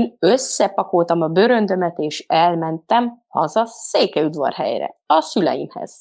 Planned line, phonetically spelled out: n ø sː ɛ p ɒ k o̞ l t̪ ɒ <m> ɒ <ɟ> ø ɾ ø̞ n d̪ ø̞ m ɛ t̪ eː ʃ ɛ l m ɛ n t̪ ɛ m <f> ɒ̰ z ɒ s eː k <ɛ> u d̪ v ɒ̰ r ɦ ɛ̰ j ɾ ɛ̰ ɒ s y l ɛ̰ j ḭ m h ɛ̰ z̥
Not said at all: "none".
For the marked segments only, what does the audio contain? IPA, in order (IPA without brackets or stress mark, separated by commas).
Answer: m, b, h, ɛ